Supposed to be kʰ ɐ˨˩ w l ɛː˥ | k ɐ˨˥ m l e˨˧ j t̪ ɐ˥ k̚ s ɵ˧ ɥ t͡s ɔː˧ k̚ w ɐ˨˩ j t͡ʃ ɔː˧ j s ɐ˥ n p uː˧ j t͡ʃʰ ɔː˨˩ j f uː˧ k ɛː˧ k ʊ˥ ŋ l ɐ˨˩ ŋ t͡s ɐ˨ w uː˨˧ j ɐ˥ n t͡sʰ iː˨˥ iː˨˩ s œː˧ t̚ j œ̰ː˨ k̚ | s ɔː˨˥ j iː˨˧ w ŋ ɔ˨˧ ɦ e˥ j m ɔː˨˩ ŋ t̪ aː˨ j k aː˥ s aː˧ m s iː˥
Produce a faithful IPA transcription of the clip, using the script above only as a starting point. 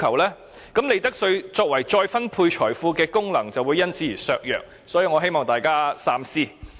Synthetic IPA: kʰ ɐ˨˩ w l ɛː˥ | k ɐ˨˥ m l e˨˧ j t̪ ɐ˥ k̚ s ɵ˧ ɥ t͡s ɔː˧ k̚ w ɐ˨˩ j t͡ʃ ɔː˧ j f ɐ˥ n pʰ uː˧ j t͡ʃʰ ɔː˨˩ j f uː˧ k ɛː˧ k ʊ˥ ŋ l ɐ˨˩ ŋ t͡s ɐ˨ w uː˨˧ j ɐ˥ n t͡sʰ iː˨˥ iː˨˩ s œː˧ k̚ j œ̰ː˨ k̚ | s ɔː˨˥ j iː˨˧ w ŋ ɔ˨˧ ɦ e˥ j m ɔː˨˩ ŋ t̪ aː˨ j k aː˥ s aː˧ m s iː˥